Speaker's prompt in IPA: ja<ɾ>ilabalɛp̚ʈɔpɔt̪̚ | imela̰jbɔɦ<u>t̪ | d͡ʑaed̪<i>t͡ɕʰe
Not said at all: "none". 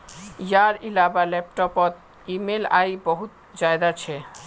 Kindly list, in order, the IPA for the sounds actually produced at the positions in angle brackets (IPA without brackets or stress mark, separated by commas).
ɾ, u, a